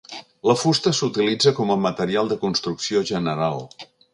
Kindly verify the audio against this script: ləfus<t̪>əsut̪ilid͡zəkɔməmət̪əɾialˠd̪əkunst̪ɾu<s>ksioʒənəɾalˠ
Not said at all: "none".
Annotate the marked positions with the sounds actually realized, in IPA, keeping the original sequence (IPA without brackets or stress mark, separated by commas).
t̪, none